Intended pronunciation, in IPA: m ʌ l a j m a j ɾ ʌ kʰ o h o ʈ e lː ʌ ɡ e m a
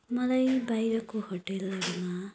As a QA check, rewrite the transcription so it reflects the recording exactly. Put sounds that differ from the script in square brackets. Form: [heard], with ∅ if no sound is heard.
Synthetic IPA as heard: m ʌ l a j [b] a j ɾ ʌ [k] o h o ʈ e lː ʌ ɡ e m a